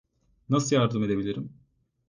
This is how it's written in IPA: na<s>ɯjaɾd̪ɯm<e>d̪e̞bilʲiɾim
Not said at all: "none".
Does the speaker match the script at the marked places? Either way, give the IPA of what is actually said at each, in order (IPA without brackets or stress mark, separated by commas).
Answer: s, e